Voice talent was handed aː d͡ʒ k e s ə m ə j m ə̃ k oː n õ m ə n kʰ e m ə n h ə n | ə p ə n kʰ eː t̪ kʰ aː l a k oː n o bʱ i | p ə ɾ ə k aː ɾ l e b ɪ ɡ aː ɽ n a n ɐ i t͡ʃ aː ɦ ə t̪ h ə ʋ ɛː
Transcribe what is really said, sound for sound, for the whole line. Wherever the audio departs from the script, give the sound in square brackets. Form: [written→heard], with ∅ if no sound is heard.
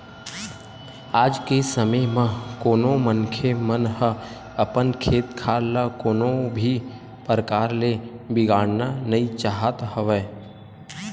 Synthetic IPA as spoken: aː d͡ʒ k e s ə m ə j m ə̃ k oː n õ m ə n kʰ e m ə n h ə [n→∅] | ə p ə n kʰ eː t̪ kʰ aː l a k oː n o bʱ i | p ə ɾ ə k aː ɾ l e b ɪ ɡ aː ɽ n a n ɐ i t͡ʃ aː ɦ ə t̪ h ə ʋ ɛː